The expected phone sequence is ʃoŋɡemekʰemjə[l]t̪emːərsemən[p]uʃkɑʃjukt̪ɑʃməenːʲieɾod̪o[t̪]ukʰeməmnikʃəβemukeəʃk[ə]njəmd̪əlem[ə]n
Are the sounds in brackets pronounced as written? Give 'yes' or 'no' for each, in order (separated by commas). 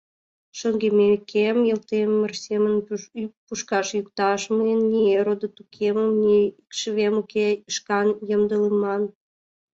yes, yes, yes, no, no